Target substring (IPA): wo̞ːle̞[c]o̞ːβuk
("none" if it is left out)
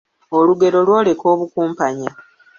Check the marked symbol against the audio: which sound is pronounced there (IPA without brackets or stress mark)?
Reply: k